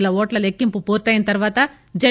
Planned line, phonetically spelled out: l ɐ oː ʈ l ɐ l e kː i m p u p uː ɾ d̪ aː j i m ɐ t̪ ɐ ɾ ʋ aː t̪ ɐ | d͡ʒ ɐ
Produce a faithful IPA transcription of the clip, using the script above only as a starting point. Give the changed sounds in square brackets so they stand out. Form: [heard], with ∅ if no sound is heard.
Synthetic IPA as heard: l ɐ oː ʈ l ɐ l e kː i m p u p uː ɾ [t̪] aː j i [n] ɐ t̪ ɐ ɾ ʋ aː t̪ ɐ | d͡ʒ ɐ